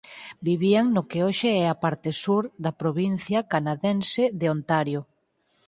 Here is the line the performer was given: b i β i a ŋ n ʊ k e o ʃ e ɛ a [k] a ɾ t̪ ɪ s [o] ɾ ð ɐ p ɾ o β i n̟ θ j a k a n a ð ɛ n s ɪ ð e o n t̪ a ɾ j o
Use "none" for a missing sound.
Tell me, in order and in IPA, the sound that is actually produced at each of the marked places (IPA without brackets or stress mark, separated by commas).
p, u